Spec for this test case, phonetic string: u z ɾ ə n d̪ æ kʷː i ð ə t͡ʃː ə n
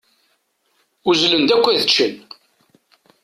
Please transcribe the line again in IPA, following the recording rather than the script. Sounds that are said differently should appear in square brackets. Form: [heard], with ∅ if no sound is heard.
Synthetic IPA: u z [l] ə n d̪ æ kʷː [æ] ð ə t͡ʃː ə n